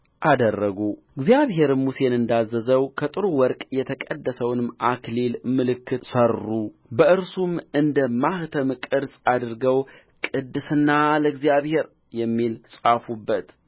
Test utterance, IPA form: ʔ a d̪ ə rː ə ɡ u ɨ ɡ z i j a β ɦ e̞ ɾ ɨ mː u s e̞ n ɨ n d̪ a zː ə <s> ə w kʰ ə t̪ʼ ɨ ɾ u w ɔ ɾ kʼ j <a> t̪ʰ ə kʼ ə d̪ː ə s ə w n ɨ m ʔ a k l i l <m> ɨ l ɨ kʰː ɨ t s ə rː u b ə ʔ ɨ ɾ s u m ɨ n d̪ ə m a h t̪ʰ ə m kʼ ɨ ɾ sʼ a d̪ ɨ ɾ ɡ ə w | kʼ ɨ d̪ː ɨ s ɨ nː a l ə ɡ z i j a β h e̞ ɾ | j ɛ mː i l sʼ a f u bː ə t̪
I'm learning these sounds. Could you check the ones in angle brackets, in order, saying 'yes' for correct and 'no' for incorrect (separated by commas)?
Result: no, no, yes